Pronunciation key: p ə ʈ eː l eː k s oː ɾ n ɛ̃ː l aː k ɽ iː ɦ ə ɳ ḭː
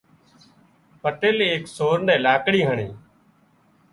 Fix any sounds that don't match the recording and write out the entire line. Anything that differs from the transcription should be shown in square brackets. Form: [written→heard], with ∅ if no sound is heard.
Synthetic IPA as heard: p ə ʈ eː l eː k s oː ɾ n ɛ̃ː l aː k ɽ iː ɦ ə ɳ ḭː